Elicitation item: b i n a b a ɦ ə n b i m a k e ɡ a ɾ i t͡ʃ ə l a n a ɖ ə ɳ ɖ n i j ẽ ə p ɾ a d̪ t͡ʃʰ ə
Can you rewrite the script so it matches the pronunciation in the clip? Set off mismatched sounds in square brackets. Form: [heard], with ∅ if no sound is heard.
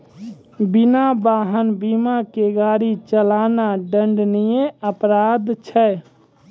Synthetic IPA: b i n a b a ɦ ə n b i m a k e ɡ a ɾ i t͡ʃ ə l a n a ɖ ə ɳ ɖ n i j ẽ ə p ɾ a d̪ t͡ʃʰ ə